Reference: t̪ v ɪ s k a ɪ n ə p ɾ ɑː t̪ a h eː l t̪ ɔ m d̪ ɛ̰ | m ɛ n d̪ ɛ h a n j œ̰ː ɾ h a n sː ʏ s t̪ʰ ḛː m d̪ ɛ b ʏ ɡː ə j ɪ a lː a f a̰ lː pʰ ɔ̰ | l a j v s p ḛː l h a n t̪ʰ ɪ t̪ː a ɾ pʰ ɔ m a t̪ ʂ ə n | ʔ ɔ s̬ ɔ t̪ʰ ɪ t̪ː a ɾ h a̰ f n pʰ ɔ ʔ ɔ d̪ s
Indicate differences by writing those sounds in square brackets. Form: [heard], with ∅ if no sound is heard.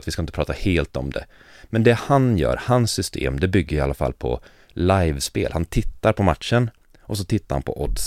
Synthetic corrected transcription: t̪ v ɪ s k a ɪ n ə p ɾ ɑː t̪ a h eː l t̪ ɔ m d̪ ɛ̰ | m ɛ n d̪ ɛ h a n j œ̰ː ɾ h a n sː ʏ s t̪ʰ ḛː m d̪ ɛ b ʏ ɡː ə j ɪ a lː a f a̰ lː pʰ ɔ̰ | l a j v s p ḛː l h a n t̪ʰ ɪ t̪ː a ɾ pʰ ɔ m a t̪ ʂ ə n | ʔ ɔ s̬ ɔ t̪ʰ ɪ t̪ː a ɾ h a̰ [∅] n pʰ ɔ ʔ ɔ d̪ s